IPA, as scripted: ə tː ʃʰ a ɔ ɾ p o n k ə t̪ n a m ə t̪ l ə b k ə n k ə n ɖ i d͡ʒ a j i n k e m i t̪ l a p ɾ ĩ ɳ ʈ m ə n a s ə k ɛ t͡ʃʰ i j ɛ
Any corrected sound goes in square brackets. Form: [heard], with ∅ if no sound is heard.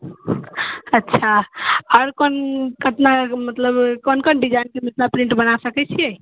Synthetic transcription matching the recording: ə tː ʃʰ a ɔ ɾ [k] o n k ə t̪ n a m ə t̪ l ə b k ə n k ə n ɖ i d͡ʒ a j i n k e m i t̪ l a p ɾ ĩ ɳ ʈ [b] ə n a s ə k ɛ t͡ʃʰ i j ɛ